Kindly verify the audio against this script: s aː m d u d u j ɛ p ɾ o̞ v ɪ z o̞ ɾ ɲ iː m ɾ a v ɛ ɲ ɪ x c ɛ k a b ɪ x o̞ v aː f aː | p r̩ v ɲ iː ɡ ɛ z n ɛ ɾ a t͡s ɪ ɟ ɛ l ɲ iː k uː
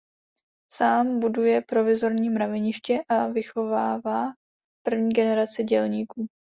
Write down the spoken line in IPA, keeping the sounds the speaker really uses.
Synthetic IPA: s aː m b u d u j ɛ p ɾ o̞ v ɪ z o̞ ɾ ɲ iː m ɾ a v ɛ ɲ ɪ ʃ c ɛ ʔ a v ɪ x o̞ v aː v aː | p r̩ v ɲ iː ɡ ɛ n ɛ ɾ a t͡s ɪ ɟ ɛ l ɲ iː k uː